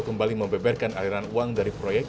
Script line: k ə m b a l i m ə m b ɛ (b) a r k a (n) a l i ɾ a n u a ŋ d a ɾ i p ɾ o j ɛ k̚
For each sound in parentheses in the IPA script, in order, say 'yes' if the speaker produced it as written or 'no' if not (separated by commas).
yes, yes